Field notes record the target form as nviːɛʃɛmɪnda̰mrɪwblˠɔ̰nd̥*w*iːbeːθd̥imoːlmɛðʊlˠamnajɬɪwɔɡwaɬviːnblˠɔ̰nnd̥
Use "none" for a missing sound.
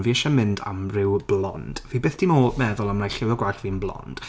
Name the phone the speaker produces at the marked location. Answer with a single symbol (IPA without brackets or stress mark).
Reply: v